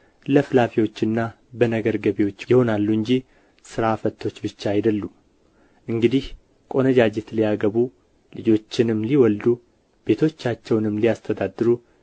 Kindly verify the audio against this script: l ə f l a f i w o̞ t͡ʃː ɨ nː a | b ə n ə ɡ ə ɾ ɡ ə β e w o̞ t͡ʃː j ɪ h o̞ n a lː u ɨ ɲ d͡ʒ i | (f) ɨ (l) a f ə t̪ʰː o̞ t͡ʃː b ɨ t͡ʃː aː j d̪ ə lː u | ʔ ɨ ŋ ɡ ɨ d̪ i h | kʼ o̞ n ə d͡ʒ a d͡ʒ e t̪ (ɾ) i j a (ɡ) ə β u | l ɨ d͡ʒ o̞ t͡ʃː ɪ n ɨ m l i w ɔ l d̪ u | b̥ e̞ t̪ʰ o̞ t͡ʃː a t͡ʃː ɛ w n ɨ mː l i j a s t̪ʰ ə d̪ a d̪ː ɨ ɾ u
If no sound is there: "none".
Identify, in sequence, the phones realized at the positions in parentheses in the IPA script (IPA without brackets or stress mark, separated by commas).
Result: s, ɾ, l, ɡ